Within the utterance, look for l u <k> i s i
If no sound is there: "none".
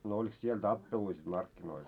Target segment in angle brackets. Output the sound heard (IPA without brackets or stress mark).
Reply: none